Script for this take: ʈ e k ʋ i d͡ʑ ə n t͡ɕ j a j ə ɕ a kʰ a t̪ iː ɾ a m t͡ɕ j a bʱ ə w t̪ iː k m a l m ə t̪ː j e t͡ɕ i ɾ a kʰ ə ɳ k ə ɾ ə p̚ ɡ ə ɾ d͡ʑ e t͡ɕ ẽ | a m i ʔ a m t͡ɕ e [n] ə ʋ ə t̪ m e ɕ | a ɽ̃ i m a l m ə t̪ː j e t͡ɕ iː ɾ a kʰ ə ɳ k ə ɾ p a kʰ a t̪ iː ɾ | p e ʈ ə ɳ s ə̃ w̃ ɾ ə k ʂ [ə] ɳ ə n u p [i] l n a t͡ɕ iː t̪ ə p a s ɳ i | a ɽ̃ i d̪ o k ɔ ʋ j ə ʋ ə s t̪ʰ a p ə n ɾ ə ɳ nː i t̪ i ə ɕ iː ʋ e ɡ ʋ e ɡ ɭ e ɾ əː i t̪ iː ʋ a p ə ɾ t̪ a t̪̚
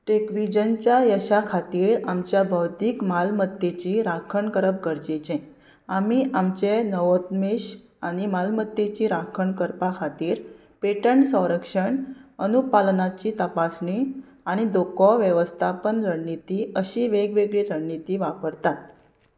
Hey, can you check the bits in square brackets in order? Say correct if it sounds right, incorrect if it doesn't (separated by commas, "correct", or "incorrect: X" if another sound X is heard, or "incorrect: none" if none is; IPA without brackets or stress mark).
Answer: correct, correct, incorrect: a